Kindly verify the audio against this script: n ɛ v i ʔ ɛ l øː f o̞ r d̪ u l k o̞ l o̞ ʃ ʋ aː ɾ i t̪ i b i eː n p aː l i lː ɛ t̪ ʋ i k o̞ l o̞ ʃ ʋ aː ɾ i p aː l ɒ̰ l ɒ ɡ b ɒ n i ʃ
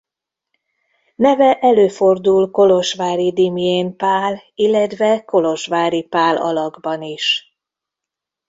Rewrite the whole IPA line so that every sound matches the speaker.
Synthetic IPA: n ɛ v ɛ ʔ ɛ l øː f o̞ r d̪ u l k o̞ l o̞ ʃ ʋ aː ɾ i d̪ i m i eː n p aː l i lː ɛ t̪ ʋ ɛ k o̞ l o̞ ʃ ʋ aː ɾ i p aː l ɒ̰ l ɒ ɡ b ɒ n i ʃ

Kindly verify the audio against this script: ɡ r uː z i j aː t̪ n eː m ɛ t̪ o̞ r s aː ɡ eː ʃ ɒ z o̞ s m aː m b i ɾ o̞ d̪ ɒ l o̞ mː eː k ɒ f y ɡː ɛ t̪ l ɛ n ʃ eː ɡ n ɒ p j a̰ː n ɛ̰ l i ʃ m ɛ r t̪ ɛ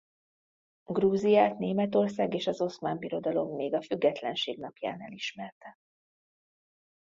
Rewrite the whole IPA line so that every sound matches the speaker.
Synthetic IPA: ɡ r uː z i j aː t̪ n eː m ɛ t̪ o̞ r s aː ɡ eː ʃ ɒ z o̞ s m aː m b i ɾ o̞ d̪ ɒ l o̞ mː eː ɡ ɒ f y ɡː ɛ t̪ l ɛ n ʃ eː ɡ n ɒ p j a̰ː n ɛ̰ l i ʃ m ɛ r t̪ ɛ

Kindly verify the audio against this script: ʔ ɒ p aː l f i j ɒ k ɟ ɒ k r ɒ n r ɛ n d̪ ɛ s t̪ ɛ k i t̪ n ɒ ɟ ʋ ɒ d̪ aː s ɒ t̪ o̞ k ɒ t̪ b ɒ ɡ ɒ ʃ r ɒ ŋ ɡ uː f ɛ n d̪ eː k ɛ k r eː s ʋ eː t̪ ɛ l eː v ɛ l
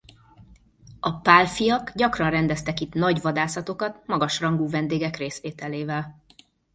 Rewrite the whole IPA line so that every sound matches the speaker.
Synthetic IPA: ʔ ɒ p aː l f i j ɒ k ɟ ɒ k r ɒ n r ɛ n d̪ ɛ s t̪ ɛ k i t̪ n ɒ ɟ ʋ ɒ d̪ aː s ɒ t̪ o̞ k ɒ t̪ m ɒ ɡ ɒ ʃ r ɒ ŋ ɡ uː v ɛ n d̪ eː ɡ ɛ k r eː s ʋ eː t̪ ɛ l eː v ɛ l

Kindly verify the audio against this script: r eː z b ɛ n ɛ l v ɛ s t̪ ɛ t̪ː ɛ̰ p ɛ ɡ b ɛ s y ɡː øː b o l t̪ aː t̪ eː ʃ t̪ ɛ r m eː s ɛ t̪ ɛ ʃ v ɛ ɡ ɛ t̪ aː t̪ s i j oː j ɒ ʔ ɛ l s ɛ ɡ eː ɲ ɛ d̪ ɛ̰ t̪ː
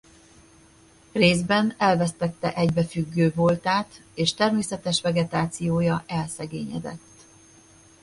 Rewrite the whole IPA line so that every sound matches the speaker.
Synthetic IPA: r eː z b ɛ n ɛ l v ɛ s t̪ ɛ t̪ː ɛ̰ ʔ ɛ ɟ b ɛ f y ɡː øː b o l t̪ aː t̪ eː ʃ t̪ ɛ r m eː s ɛ t̪ ɛ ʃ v ɛ ɡ ɛ t̪ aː t̪ s i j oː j ɒ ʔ ɛ l s ɛ ɡ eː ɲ ɛ d̪ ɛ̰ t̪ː

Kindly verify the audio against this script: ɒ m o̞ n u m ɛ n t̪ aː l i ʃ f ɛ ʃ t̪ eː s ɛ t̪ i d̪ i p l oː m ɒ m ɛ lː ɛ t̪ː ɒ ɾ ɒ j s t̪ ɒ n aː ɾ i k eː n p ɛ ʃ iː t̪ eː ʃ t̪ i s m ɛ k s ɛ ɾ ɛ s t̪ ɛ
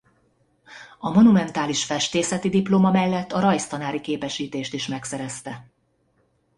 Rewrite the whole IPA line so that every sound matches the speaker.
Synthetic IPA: ɒ m o̞ n u m ɛ n t̪ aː l i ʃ f ɛ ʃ t̪ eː s ɛ t̪ i d̪ i p l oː m ɒ m ɛ lː ɛ t̪ː ɒ ɾ ɒ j s t̪ ɒ n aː ɾ i k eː p ɛ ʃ iː t̪ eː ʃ t̪ i ʃ m ɛ k s ɛ ɾ ɛ s t̪ ɛ

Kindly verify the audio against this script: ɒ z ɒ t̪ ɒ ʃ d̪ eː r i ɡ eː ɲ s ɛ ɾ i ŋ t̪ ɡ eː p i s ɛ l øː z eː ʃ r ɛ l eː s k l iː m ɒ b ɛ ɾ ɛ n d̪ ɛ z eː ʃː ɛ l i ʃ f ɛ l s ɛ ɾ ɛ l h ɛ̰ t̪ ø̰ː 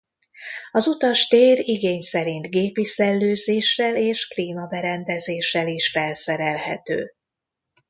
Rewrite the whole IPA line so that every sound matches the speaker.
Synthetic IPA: ɒ z u t̪ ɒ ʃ t̪ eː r i ɡ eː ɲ s ɛ ɾ i n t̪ ɡ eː p i s ɛ lː øː z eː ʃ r ɛ l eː ʃ k l iː m ɒ b ɛ ɾ ɛ n d̪ ɛ z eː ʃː ɛ l i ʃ f ɛ l s ɛ ɾ ɛ l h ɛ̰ t̪ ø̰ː

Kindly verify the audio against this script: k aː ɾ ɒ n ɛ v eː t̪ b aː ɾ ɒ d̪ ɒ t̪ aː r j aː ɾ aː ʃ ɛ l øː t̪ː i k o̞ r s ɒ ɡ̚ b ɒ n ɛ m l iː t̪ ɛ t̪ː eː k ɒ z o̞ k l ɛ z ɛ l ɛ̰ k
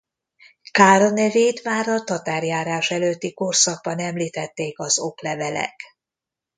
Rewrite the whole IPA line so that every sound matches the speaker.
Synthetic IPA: k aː ɾ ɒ n ɛ v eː t̪ m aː ɾ ɒ t̪ ɒ t̪ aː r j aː ɾ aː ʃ ɛ l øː t̪ː i k o̞ r s ɒ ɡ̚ b ɒ n ɛ m l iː t̪ ɛ t̪ː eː k ɒ z o̞ k l ɛ v ɛ l ɛ̰ k

